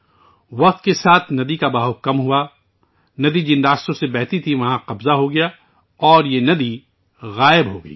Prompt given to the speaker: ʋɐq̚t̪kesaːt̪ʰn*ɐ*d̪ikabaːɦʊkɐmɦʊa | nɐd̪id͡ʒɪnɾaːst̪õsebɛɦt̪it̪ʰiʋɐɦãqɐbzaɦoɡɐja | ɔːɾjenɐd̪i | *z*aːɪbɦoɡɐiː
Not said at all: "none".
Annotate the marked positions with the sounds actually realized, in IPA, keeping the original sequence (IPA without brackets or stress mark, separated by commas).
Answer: ɐ, ɣ